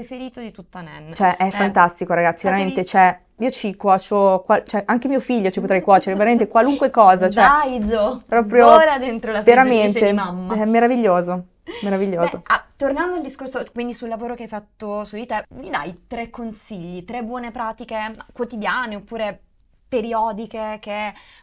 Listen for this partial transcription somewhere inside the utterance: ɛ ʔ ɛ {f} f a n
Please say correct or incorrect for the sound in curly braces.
correct